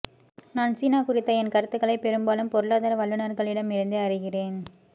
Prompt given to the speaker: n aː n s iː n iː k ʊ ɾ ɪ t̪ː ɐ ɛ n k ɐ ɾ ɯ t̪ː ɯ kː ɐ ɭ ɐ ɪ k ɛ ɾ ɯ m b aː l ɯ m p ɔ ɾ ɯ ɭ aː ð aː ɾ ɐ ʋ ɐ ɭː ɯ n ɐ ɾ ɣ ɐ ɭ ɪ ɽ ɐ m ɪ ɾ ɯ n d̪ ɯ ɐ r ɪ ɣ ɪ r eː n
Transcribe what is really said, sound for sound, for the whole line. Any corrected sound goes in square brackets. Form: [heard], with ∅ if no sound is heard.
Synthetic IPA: n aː n s iː n [aː] k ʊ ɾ ɪ t̪ː ɐ ɛ n k ɐ ɾ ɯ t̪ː ɯ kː ɐ ɭ ɐ ɪ [p] ɛ ɾ ɯ m b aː l ɯ m p ɔ ɾ ɯ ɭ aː ð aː ɾ ɐ ʋ ɐ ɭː ɯ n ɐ ɾ ɣ ɐ ɭ ɪ ɽ ɐ m ɪ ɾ ɯ n d̪ ɯ ɐ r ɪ ɣ ɪ r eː n